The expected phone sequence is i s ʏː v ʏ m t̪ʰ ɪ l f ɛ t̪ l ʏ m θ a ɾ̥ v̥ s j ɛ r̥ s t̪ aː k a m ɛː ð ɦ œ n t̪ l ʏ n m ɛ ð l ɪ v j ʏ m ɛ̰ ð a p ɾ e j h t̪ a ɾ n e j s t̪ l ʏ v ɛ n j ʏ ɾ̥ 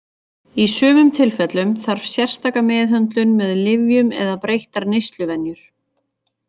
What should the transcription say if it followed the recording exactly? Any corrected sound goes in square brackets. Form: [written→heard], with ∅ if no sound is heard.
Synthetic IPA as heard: i s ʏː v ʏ m t̪ʰ ɪ l f ɛ t̪ l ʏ m θ a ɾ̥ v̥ s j ɛ r̥ s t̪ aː k a m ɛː ð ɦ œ n t̪ l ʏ n m ɛ ð l ɪ v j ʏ m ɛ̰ ð a p ɾ e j h t̪ a ɾ n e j s t̪ l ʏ v ɛ n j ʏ ɾ̥